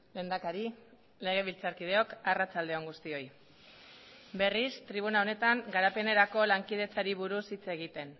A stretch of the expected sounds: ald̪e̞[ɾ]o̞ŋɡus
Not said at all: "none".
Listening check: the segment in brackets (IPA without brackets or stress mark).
none